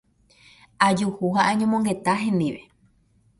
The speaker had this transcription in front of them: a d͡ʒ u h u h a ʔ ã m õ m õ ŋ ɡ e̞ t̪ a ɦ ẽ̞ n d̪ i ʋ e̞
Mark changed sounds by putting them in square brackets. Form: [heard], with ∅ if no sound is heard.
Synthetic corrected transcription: a d͡ʒ u h u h a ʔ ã [ɲ] õ m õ ŋ ɡ e̞ t̪ a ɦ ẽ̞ n d̪ i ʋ e̞

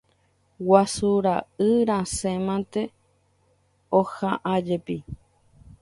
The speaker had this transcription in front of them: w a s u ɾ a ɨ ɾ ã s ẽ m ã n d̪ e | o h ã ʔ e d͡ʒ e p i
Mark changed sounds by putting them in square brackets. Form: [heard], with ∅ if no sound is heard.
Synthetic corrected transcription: w a s u ɾ a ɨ ɾ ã s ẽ m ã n [t̪] e | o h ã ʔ [a] d͡ʒ e p i

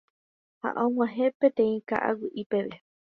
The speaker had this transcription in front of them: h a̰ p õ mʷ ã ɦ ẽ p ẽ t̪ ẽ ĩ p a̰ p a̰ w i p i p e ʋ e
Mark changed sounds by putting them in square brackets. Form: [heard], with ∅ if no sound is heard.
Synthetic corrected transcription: h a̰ [ʔ] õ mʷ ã ɦ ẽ p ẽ t̪ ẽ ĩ [k] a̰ [ʔ] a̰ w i [ʔ] i p e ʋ e

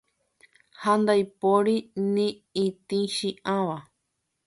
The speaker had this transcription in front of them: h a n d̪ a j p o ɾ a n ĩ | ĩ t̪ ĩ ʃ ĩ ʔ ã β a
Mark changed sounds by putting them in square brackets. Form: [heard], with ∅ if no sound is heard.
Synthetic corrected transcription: h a n d̪ a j p o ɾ [i] n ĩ | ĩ t̪ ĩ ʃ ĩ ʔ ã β a

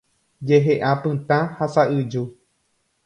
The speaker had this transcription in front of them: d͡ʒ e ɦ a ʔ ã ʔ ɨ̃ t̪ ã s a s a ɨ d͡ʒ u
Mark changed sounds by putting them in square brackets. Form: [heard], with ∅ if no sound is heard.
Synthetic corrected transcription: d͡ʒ e ɦ [e] ʔ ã [p] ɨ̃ t̪ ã [h] a s a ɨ d͡ʒ u

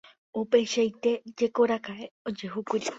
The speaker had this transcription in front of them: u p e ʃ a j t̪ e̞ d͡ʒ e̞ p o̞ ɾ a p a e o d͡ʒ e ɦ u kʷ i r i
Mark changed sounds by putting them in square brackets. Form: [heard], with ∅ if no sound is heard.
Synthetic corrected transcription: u p e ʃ a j t̪ e̞ d͡ʒ e̞ [k] o̞ ɾ a [k] a e o d͡ʒ e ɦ u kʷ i [ɾ] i

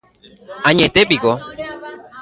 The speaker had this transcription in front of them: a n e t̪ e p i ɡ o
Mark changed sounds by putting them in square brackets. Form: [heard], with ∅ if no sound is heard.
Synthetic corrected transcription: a [ɲ] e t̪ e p i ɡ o

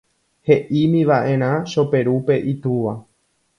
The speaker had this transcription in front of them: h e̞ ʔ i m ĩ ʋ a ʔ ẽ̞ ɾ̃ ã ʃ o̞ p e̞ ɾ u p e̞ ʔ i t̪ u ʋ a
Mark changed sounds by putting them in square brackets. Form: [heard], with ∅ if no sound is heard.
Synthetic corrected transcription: h e̞ ʔ i m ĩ ʋ a ʔ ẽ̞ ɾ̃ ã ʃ o̞ p e̞ ɾ u p e̞ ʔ i t̪ u ʋ a

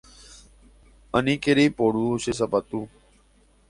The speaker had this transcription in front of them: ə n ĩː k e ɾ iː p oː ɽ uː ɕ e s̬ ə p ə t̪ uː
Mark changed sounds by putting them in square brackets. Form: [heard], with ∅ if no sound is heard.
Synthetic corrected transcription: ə n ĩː k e ɾ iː p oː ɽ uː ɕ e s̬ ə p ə t̪ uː

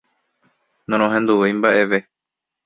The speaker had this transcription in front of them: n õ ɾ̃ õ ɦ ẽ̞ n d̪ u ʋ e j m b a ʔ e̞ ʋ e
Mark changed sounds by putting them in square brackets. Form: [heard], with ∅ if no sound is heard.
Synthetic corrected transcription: n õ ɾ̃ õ ɦ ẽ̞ n d̪ u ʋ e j m b a ʔ e̞ ʋ e

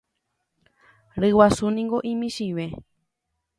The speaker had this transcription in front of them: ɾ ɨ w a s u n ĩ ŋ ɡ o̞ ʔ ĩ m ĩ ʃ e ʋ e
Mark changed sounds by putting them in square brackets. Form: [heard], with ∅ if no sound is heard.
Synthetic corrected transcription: ɾ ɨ w a s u n ĩ ŋ ɡ o̞ ʔ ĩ m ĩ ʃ [i] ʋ e

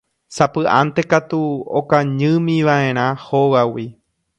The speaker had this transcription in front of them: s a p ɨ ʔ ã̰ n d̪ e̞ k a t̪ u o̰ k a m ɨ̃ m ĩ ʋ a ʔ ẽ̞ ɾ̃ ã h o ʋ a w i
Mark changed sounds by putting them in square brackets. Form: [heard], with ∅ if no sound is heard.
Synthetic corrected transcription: s a p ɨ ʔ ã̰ n [t̪] e̞ k a t̪ u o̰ k a [ɲ] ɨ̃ m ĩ ʋ a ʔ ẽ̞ ɾ̃ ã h o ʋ a w i

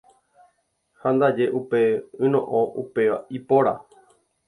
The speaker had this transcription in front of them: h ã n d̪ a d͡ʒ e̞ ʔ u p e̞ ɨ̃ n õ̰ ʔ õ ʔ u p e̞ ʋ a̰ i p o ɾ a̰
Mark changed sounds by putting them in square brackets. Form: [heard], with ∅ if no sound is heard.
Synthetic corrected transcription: h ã n d̪ a d͡ʒ e̞ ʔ u p e̞ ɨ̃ n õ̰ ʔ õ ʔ u p e̞ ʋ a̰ i p o ɾ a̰

